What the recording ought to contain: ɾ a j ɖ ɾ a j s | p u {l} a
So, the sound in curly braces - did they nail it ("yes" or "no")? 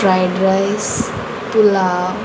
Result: yes